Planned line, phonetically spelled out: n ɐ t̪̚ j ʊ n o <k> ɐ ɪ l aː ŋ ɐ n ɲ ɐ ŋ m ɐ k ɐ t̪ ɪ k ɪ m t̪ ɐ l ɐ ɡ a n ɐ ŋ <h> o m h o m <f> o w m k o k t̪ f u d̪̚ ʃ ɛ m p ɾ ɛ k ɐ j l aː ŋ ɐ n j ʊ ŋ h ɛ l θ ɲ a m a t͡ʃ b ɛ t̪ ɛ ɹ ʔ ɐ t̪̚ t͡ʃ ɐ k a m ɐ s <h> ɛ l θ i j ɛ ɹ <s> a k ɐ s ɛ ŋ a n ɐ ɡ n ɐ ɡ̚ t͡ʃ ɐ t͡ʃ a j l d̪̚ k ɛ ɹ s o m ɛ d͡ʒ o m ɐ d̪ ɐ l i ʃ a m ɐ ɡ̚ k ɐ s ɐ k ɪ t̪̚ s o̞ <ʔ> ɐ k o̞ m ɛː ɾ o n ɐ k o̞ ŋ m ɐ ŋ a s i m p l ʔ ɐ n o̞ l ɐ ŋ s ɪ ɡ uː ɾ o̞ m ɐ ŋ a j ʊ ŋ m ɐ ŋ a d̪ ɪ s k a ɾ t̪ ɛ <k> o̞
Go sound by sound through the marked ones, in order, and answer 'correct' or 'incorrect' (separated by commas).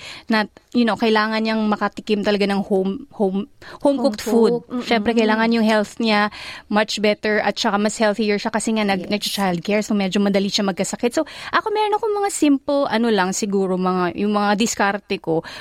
correct, correct, incorrect, correct, incorrect, correct, correct